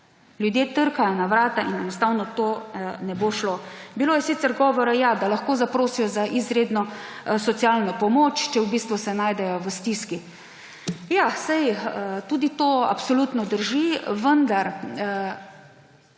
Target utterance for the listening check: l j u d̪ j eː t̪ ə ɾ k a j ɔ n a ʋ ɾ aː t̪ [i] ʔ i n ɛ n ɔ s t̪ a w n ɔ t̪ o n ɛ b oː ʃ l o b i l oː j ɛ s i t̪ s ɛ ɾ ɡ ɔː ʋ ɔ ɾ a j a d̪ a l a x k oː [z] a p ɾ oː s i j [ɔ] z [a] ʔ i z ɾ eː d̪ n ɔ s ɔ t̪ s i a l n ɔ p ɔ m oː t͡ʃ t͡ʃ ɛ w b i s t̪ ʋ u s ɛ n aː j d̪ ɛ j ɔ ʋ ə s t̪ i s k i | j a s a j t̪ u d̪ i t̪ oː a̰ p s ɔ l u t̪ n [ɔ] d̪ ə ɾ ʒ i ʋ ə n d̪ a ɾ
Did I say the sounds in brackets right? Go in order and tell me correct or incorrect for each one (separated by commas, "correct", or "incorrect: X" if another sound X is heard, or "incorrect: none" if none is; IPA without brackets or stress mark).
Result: incorrect: a, correct, correct, correct, correct